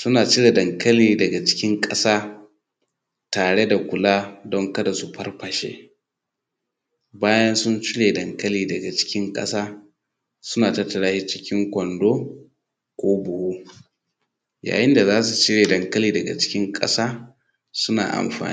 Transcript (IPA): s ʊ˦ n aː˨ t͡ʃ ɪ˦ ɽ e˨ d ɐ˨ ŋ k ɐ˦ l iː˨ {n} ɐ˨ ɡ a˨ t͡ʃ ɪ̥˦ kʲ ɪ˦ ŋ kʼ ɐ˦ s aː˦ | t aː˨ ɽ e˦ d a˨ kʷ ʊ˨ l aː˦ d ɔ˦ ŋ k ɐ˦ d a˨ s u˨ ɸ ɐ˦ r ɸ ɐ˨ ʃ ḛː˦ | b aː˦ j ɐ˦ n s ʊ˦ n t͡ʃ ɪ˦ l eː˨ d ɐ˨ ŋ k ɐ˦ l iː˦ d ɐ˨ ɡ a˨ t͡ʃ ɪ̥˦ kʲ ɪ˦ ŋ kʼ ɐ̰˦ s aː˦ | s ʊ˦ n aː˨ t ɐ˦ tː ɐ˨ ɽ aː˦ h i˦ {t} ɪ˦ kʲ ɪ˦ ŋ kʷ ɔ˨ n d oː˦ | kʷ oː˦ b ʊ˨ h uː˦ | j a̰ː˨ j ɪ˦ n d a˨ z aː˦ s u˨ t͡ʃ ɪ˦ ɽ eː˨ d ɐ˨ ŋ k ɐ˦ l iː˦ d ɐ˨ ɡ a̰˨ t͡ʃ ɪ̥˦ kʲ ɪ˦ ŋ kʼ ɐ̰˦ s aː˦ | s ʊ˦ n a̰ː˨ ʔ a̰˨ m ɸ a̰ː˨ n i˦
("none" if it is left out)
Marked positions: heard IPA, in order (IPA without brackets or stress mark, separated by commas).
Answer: d, t͡ʃ